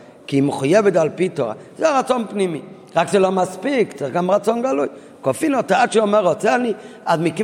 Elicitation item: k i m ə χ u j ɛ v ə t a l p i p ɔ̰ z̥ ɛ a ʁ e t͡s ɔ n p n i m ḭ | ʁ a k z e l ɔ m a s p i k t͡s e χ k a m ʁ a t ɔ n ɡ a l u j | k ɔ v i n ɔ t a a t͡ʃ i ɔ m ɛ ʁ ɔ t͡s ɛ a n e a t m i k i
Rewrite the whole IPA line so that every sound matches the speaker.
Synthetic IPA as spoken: k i m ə χ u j ɛ v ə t a l p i t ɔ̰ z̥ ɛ a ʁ a t͡s ɔ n p n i m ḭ | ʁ a k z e l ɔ m a s p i k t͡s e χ ɡ a m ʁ a t͡s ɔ n ɡ a l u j | k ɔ f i n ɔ t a a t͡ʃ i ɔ m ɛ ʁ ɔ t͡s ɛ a n i a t m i k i